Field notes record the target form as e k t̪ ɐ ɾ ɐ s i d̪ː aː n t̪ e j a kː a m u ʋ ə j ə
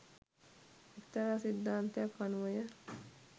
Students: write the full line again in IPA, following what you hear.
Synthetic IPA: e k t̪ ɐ ɾ a s i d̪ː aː n t̪ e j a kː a n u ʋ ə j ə